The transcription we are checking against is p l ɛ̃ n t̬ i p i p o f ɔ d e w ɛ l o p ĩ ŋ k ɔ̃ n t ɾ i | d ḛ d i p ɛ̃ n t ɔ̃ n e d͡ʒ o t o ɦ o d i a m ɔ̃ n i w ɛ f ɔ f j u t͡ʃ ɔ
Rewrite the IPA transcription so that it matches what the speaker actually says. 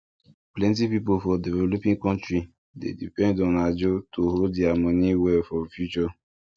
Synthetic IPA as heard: p l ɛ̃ n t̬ i p i p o f ɔ d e v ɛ l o p ĩ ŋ k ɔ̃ n t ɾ i | d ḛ d i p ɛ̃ n d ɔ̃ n a d͡ʒ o t o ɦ o d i a m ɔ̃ n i w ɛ f ɔ f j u t͡ʃ ɔ